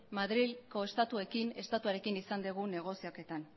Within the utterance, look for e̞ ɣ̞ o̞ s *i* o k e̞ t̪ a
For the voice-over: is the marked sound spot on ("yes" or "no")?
yes